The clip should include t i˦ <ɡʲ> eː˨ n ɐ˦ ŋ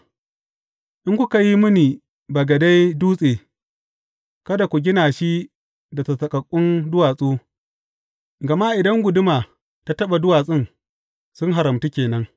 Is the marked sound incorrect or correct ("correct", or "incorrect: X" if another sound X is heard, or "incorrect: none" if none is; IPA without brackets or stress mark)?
incorrect: kʲ